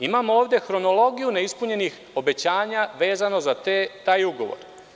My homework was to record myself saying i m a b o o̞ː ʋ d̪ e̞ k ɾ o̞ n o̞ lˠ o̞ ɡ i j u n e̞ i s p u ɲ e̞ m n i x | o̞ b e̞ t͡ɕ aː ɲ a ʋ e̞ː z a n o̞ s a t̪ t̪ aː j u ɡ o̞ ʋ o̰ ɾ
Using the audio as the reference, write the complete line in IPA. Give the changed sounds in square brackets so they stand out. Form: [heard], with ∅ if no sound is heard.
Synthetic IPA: i m a [m] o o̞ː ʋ d̪ e̞ [x] ɾ o̞ n o̞ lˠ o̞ ɡ i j u n e̞ i s p u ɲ e̞ [∅] n i x | o̞ b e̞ t͡ɕ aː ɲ a ʋ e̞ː z a n o̞ [z] a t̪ t̪ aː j u ɡ o̞ ʋ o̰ ɾ